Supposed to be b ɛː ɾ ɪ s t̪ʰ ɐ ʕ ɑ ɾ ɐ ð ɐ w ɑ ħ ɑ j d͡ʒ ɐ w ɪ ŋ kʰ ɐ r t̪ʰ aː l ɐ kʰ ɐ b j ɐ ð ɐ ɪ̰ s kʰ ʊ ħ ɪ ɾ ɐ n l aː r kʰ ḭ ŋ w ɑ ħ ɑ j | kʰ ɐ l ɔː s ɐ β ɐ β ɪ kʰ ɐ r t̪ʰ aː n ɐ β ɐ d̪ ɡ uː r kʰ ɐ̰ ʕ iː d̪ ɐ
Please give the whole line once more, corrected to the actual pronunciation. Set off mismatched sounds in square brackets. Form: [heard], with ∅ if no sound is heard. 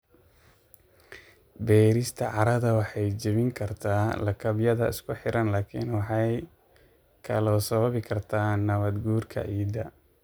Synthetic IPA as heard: b ɛː ɾ ɪ s t̪ʰ ɐ ʕ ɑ ɾ ɐ ð ɐ w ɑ ħ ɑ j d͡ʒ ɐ [β] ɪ ŋ kʰ ɐ r t̪ʰ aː l ɐ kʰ ɐ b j ɐ ð ɐ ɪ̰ s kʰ ʊ ħ ɪ ɾ ɐ n l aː [∅] kʰ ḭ [n] w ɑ ħ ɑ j | kʰ ɐ l ɔː s ɐ β ɐ β ɪ kʰ ɐ r t̪ʰ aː n ɐ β ɐ d̪ ɡ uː r kʰ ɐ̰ ʕ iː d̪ ɐ